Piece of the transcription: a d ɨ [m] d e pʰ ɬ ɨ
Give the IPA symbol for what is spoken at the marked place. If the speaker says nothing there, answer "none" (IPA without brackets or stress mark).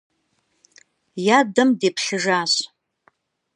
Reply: m